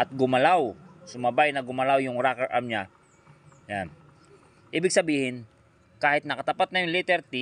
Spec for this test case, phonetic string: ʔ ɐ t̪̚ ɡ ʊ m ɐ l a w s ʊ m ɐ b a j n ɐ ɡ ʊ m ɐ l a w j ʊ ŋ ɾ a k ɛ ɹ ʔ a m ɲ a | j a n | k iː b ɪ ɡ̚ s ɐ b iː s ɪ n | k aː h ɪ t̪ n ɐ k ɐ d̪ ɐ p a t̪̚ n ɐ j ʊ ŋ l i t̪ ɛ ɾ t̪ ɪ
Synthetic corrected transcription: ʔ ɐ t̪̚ ɡ ʊ m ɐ l a w s ʊ m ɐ b a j n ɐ ɡ ʊ m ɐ l a w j ʊ ŋ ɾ a k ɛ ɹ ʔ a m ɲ a | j a n | ʔ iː b ɪ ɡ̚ s ɐ b iː h ɪ n | k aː h ɪ t̪ n ɐ k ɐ t̪ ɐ p a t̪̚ n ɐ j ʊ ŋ l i t̪ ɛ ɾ t̪ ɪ